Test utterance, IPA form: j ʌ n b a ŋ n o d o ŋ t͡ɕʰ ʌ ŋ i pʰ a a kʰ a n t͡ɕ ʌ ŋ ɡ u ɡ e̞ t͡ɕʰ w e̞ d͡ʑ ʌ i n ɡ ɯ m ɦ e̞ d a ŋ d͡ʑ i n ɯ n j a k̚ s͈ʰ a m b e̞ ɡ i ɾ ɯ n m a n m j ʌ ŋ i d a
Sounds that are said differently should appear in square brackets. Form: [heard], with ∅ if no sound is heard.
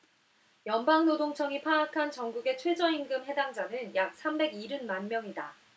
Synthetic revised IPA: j ʌ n b a ŋ n o d o ŋ t͡ɕʰ ʌ ŋ i pʰ a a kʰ a n t͡ɕ ʌ ŋ ɡ u ɡ e̞ t͡ɕʰ w e̞ d͡ʑ ʌ i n ɡ ɯ m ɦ e̞ d a ŋ d͡ʑ [a] n ɯ n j a k̚ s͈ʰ a m b e̞ ɡ i ɾ ɯ n m a n m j ʌ ŋ i d a